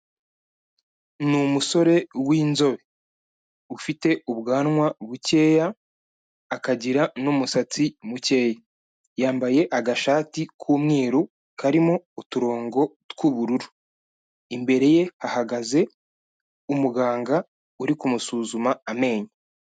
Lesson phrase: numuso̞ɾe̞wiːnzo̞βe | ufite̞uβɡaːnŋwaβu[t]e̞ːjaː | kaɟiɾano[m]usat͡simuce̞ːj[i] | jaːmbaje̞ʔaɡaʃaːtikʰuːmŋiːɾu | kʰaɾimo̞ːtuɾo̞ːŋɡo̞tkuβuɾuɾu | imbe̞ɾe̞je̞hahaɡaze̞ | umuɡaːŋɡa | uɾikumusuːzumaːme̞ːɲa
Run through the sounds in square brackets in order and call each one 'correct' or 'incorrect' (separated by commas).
incorrect, correct, incorrect